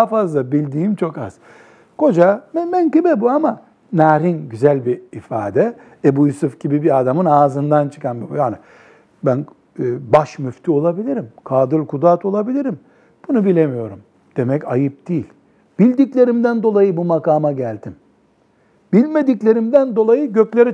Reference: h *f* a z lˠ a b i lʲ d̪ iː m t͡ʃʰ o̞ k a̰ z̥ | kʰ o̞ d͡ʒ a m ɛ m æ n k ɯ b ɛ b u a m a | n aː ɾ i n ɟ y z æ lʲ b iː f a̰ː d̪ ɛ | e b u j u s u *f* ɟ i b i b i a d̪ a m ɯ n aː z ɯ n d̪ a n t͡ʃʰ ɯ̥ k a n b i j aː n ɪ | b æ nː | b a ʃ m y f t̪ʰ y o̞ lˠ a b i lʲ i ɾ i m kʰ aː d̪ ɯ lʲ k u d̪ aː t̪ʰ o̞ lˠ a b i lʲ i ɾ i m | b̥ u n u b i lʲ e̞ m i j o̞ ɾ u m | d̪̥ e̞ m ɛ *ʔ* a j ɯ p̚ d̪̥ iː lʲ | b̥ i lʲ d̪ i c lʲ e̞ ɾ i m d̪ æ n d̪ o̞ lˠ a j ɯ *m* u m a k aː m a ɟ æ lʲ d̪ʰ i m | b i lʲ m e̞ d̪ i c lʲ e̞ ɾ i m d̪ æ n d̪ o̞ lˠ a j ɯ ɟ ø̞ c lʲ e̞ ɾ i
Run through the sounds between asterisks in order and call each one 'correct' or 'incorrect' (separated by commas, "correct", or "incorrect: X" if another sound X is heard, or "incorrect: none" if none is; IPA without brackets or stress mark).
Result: correct, correct, incorrect: c, incorrect: b